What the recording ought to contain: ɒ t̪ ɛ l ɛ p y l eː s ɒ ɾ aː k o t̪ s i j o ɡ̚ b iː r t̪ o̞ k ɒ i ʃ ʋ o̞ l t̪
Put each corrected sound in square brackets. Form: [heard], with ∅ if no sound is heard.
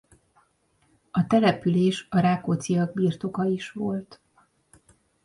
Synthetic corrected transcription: ɒ t̪ ɛ l ɛ p y l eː [ʃ] ɒ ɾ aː k o t̪ s i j [ɒ] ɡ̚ b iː r t̪ o̞ k ɒ i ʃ ʋ o̞ l t̪